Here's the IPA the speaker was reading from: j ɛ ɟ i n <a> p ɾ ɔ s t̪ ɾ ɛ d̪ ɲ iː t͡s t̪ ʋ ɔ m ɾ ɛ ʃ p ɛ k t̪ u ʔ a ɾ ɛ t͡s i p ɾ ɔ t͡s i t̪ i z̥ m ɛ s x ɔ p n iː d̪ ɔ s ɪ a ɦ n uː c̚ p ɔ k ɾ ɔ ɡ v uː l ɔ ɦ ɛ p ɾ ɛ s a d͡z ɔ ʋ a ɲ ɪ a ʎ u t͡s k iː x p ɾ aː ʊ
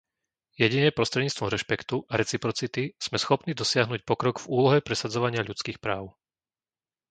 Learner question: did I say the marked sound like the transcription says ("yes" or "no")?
no